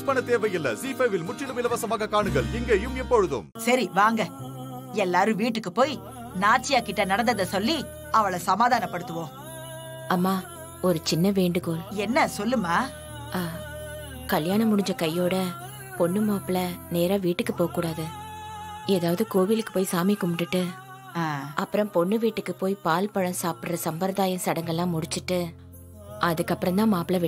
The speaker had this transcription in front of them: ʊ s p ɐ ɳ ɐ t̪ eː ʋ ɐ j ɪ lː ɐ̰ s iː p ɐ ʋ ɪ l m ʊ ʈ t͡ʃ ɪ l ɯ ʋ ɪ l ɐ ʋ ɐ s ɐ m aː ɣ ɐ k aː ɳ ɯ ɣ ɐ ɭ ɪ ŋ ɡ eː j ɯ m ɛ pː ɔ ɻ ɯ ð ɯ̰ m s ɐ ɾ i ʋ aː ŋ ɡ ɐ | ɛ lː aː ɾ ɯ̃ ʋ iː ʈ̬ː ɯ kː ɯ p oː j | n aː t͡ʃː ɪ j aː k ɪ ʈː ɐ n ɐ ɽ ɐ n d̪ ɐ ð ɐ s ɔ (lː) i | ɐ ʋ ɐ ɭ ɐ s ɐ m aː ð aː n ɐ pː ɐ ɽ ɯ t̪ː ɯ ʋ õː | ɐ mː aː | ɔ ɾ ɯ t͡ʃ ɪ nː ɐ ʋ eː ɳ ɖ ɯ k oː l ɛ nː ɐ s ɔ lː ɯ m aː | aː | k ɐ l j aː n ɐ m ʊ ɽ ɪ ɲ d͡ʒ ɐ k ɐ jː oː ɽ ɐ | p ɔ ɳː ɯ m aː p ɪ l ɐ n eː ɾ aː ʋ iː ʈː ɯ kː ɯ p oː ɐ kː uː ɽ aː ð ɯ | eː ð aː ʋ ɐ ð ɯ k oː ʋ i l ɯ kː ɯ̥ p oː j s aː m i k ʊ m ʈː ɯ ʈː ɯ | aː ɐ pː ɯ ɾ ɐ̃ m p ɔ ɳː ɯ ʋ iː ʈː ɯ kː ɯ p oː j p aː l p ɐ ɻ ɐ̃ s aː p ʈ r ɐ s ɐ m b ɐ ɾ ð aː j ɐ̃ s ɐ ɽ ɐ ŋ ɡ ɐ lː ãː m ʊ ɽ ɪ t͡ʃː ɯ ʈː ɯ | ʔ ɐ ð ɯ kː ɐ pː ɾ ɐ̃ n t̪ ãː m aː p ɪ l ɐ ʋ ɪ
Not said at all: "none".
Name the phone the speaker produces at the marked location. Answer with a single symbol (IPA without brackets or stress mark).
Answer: lː